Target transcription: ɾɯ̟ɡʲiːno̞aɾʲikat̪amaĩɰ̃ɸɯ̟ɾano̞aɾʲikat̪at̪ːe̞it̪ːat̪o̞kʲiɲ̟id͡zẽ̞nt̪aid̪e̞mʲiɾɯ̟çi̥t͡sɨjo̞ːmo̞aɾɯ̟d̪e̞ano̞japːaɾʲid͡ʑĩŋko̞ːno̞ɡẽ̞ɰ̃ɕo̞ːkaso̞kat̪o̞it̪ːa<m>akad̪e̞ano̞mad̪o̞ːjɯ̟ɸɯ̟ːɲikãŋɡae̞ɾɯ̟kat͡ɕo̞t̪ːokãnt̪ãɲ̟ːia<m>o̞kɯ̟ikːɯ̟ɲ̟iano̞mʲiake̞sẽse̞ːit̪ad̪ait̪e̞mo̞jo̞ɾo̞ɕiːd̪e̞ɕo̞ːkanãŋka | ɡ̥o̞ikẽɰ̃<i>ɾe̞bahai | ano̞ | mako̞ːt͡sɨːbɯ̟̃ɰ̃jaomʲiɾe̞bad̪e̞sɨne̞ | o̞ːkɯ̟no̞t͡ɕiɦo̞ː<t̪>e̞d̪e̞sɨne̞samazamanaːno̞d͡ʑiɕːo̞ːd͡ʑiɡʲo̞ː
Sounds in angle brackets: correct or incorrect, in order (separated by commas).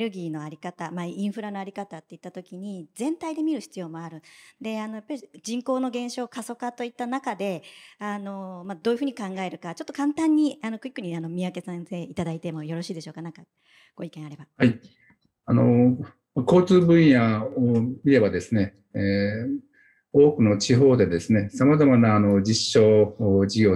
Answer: incorrect, incorrect, incorrect, incorrect